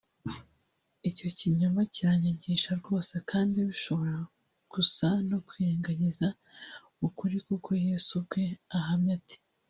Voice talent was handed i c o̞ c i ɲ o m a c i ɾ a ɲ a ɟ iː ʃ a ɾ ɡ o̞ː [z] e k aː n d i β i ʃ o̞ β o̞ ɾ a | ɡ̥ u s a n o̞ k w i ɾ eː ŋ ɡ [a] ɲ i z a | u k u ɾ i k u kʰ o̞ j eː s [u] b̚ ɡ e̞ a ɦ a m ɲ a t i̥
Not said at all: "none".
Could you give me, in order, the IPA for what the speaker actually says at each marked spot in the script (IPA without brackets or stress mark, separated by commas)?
s, a, u